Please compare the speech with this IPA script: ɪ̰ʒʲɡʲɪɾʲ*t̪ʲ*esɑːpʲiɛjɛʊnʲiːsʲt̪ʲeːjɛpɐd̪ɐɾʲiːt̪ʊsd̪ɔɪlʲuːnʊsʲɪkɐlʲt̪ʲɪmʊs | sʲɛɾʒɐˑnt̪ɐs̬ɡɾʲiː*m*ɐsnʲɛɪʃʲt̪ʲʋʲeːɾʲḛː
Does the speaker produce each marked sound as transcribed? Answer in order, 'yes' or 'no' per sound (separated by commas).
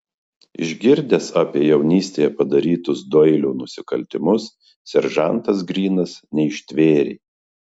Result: no, no